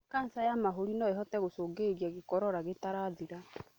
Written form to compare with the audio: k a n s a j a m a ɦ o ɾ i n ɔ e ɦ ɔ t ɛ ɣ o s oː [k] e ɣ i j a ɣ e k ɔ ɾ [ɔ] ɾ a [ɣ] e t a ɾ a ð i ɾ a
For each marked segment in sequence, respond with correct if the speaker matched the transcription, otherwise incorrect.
incorrect, correct, correct

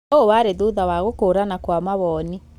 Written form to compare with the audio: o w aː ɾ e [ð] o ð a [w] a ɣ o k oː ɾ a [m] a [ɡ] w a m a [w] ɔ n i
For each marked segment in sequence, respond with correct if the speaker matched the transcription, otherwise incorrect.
correct, correct, incorrect, incorrect, incorrect

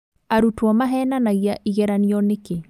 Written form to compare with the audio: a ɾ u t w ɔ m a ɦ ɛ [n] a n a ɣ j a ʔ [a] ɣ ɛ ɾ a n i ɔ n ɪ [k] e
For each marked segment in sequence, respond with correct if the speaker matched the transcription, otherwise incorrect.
correct, incorrect, correct

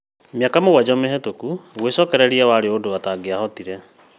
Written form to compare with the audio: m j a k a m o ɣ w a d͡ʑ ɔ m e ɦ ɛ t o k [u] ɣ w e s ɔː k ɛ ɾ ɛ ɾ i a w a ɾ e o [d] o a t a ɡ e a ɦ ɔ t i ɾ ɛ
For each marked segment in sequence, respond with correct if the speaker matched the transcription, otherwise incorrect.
correct, correct

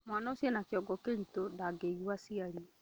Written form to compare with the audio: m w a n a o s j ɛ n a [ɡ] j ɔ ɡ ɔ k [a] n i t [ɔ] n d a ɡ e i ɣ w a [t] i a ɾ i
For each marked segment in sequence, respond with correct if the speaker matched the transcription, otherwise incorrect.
incorrect, incorrect, incorrect, incorrect

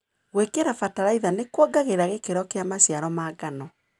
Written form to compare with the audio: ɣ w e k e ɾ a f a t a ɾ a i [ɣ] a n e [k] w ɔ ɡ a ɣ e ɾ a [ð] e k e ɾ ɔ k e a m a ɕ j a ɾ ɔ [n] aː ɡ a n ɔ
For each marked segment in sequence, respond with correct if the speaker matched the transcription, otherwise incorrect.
incorrect, correct, incorrect, incorrect

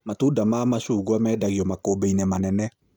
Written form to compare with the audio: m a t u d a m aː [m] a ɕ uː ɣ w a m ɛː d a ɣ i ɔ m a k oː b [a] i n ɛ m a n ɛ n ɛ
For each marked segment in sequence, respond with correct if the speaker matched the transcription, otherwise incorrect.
correct, incorrect

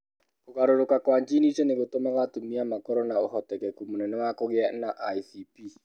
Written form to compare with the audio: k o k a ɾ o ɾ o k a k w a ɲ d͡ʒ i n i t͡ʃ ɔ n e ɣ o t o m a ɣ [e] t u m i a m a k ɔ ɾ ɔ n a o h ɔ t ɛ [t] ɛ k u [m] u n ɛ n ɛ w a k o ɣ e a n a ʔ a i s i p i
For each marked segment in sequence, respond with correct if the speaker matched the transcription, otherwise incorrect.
incorrect, incorrect, correct

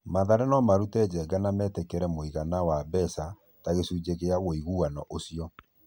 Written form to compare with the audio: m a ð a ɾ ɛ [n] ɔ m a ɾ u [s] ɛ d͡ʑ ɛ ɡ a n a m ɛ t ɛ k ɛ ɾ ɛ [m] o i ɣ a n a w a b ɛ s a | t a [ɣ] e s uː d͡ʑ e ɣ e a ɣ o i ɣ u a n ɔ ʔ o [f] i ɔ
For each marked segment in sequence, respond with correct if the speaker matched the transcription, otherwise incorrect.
correct, incorrect, correct, correct, incorrect

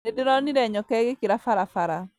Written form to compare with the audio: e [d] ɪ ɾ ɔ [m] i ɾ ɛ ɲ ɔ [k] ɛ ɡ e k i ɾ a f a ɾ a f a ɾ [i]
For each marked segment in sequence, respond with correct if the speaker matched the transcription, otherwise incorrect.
correct, incorrect, correct, incorrect

